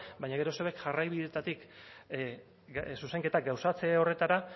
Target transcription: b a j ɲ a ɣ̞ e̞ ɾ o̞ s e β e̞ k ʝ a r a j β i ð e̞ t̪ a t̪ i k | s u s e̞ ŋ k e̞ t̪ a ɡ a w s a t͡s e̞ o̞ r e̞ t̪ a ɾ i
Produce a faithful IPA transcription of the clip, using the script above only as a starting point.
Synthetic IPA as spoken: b a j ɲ a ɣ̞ e̞ ɾ o̞ s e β e̞ k ʝ a r a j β i ð e̞ t̪ a t̪ i k | s u s e̞ ŋ k e̞ t̪ a ɡ a w s a t͡s e̞ o̞ r e̞ t̪ a ɾ a